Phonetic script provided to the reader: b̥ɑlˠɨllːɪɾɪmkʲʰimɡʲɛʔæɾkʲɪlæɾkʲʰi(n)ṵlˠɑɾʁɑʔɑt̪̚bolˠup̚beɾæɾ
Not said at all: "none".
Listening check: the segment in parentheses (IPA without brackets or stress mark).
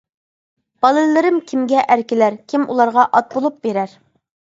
m